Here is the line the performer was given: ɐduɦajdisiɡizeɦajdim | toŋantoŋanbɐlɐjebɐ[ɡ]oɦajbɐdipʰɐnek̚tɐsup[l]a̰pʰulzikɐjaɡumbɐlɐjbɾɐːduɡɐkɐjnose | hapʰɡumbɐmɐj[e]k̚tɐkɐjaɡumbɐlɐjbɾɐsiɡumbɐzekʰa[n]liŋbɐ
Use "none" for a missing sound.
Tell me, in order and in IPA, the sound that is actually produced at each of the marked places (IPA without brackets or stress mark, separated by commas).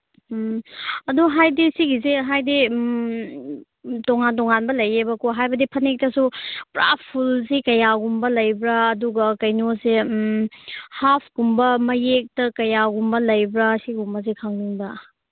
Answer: k, ɾ, e, ŋ